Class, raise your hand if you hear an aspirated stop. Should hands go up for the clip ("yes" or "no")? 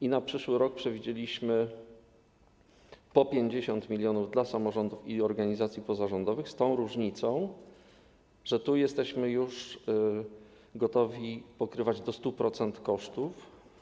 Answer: no